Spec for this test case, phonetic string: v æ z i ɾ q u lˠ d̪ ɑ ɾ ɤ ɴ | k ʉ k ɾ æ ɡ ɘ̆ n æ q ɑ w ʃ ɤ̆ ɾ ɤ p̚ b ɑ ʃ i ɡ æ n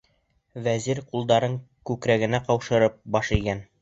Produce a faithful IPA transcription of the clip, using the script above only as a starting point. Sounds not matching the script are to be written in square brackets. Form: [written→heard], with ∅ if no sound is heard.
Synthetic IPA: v æ z i ɾ q u lˠ d̪ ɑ ɾ ɤ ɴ | k ʉ k ɾ æ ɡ ɘ̆ n æ q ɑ w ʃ ɤ̆ ɾ ɤ p̚ b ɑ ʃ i ɡ æ n

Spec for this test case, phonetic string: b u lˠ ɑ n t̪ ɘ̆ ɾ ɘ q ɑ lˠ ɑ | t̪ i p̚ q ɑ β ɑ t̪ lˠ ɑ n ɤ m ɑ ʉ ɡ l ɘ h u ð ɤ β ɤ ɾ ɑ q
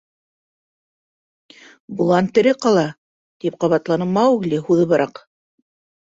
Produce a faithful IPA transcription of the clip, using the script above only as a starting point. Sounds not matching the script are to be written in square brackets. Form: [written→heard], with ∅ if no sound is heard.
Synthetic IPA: b u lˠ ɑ n t̪ ɘ̆ ɾ ɘ q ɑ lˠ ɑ | t̪ i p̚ q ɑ β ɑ t̪ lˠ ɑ n ɤ m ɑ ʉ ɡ l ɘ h u ð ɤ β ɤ ɾ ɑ q

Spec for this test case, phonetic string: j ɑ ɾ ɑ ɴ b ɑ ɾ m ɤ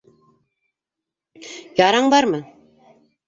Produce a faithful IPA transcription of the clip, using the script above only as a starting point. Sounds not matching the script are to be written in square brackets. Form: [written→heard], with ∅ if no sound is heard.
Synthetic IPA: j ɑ ɾ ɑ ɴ b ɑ ɾ m ɤ

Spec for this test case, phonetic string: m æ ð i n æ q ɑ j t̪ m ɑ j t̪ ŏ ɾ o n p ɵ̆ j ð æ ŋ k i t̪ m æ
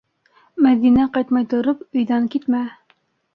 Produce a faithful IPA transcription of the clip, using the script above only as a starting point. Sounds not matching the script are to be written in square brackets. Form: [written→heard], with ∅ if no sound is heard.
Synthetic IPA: m æ ð i n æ q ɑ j t̪ m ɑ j t̪ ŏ ɾ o [n→∅] p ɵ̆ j ð æ ŋ k i t̪ m æ

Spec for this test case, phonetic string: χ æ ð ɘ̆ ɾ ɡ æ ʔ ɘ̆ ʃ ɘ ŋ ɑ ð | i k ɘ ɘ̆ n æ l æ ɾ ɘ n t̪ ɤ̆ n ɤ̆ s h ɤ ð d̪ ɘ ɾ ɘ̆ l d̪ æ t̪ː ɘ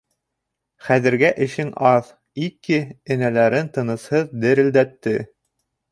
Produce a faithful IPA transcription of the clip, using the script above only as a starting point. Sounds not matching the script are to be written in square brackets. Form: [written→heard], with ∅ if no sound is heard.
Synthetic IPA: χ æ ð ɘ̆ ɾ ɡ æ ʔ ɘ̆ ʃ ɘ ŋ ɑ ð | i k ɘ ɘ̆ n æ l æ ɾ ɘ n t̪ ɤ̆ n ɤ̆ s h ɤ ð d̪ ɘ ɾ ɘ̆ l d̪ æ t̪ː ɘ

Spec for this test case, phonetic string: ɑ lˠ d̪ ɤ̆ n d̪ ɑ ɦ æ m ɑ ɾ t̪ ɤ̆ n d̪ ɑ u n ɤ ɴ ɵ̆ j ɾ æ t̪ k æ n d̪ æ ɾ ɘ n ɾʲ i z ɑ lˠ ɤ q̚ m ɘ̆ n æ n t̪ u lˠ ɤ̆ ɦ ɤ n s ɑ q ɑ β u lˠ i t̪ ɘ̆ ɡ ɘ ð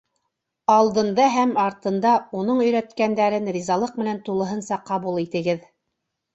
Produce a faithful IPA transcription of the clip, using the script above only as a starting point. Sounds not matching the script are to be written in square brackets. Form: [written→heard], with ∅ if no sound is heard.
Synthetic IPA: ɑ lˠ d̪ ɤ̆ n d̪ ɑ ɦ æ m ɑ ɾ t̪ ɤ̆ n d̪ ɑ u n ɤ ɴ ɵ̆ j ɾ æ t̪ k æ n d̪ æ ɾ ɘ n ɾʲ i z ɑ lˠ ɤ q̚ m ɘ̆ n æ n t̪ u lˠ ɤ̆ ɦ ɤ n s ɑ q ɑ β u lˠ i t̪ ɘ̆ ɡ ɘ ð

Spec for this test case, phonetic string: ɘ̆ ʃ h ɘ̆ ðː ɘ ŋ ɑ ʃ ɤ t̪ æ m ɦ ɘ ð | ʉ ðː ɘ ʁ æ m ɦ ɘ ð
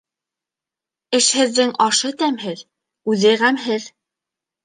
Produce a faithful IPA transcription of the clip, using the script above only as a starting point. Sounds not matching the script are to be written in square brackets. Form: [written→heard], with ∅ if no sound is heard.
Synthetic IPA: ɘ̆ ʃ h ɘ̆ ðː ɘ ŋ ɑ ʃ ɤ t̪ æ m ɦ ɘ ð | ʉ [ðː→ð] ɘ ʁ æ m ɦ ɘ ð

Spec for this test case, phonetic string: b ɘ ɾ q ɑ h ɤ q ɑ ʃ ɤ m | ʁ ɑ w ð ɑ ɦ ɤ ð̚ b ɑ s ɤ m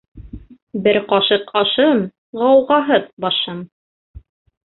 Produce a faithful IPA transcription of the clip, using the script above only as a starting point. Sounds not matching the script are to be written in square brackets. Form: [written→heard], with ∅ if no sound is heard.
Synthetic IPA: b ɘ ɾ q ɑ [h→ʃ] ɤ q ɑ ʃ ɤ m | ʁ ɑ w [ð→ʁ] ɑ ɦ ɤ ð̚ b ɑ [s→ʃ] ɤ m

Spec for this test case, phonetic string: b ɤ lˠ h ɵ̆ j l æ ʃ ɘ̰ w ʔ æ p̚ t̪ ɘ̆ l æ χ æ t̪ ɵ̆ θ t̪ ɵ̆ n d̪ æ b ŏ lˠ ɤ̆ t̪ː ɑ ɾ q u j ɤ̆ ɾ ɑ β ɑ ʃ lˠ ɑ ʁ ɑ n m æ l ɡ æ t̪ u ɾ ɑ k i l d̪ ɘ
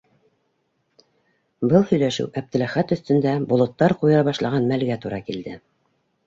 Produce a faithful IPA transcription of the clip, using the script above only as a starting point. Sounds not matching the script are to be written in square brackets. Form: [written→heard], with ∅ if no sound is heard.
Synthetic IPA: b ɤ lˠ h ɵ̆ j l æ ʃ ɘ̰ w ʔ æ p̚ t̪ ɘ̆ l æ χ æ t̪ ɵ̆ θ t̪ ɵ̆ n d̪ æ b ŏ lˠ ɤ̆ t̪ː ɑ ɾ q u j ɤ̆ ɾ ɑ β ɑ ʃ lˠ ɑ ʁ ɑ n m æ l ɡ æ t̪ u ɾ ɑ k i l d̪ ɘ

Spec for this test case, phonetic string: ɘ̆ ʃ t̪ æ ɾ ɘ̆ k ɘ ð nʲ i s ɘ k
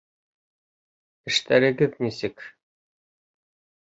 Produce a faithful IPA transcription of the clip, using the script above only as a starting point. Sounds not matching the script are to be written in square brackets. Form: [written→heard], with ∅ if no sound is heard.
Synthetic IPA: ɘ̆ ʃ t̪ æ ɾ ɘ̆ [k→ɡ] ɘ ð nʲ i s ɘ k

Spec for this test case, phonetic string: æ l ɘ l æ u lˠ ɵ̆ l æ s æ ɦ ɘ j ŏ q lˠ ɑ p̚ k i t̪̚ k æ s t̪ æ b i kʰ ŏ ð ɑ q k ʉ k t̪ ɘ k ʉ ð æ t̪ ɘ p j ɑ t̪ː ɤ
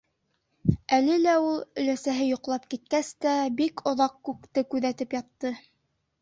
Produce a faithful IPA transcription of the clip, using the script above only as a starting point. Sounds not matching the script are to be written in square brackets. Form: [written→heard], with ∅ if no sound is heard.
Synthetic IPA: æ l ɘ l æ u lˠ ɵ̆ l æ s æ ɦ ɘ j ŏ q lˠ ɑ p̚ k i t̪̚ k æ s t̪ æ b i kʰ ŏ ð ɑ q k ʉ k t̪ ɘ k ʉ ð æ t̪ ɘ p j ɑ t̪ː ɤ

